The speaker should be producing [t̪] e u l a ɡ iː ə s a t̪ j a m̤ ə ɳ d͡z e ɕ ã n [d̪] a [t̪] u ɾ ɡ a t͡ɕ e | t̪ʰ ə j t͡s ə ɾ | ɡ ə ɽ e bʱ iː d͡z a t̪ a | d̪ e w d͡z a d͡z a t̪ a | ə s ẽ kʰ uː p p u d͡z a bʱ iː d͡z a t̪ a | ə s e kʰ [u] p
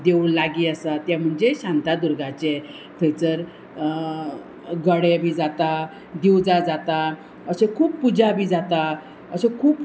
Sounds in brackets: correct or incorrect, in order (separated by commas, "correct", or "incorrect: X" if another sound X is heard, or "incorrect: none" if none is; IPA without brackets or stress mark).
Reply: incorrect: d̪, incorrect: t̪, incorrect: d̪, incorrect: uː